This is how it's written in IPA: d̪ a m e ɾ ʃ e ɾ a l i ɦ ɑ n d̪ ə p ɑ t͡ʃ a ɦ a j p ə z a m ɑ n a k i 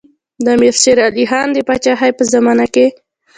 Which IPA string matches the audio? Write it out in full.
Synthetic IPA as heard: d̪ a m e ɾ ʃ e ɾ a l i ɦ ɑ n d̪ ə p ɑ t͡ʃ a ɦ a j p ə z a m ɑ n a k e